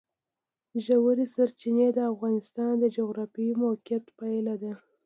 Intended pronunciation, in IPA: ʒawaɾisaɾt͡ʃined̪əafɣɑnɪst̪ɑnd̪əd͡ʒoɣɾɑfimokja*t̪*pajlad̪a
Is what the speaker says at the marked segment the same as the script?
yes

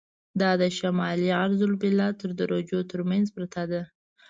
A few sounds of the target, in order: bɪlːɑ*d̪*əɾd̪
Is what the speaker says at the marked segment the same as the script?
no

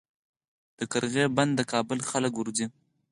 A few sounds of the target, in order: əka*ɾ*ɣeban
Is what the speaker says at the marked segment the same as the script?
yes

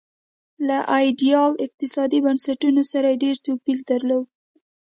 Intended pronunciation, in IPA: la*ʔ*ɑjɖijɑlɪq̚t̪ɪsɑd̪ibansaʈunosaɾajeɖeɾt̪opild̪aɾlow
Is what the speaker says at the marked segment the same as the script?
yes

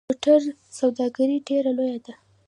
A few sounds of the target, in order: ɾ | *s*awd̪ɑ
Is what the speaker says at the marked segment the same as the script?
yes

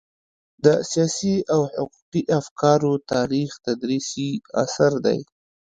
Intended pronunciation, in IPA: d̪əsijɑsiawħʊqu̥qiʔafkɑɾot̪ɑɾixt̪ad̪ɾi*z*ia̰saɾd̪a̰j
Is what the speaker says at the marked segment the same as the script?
no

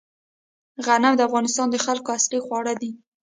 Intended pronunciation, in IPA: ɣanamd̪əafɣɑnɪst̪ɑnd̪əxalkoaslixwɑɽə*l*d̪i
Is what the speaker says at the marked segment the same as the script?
no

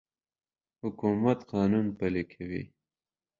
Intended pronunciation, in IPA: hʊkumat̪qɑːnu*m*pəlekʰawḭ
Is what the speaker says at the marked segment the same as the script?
no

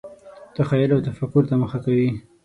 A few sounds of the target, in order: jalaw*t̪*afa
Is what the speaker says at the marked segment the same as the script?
yes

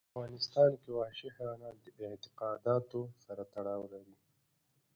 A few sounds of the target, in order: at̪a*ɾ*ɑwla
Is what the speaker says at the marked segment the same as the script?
no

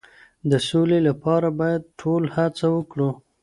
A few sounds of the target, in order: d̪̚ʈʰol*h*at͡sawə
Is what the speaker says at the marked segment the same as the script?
yes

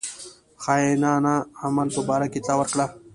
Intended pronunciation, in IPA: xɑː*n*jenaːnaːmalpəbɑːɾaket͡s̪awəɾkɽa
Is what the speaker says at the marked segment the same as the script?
no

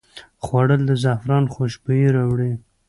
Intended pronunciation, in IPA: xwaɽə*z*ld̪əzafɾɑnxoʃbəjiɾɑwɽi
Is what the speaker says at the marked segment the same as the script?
no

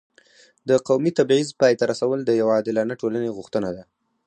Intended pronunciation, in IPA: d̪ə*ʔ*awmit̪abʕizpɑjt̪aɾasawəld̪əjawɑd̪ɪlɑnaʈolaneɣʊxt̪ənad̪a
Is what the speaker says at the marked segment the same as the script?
no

